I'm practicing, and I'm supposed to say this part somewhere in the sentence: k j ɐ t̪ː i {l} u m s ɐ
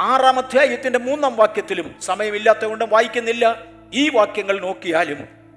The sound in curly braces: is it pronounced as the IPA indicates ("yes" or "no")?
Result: yes